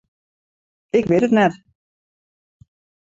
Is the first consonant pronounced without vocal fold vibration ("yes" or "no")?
yes